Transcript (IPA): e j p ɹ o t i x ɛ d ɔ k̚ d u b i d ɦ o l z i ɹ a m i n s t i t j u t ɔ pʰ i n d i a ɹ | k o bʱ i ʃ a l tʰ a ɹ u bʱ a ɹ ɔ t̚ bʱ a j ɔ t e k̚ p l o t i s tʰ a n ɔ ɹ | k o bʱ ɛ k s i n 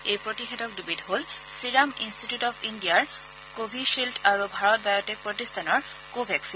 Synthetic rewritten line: e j p ɹ o t i x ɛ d ɔ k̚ d u b i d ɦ o l s i ɹ a m i n s t i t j u t ɔ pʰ i n d i a ɹ | k o bʱ i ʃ i l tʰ a ɹ u bʱ a ɹ ɔ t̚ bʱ a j ɔ t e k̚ p ɹ o t i s tʰ a n ɔ ɹ | k o bʱ ɛ k s i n